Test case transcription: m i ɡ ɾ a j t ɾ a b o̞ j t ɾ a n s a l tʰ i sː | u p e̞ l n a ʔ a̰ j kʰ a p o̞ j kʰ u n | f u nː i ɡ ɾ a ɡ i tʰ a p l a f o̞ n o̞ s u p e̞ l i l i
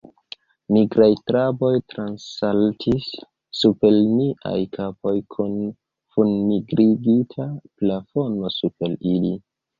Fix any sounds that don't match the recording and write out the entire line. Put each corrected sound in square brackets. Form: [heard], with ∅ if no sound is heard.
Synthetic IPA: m i ɡ ɾ a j t ɾ a b o̞ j t ɾ a n s a l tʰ i sː | u p e̞ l n [i] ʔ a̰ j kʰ a p o̞ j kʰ u n | f u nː i ɡ ɾ [i] ɡ i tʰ a p l a f o̞ n o̞ s u p e̞ l i l i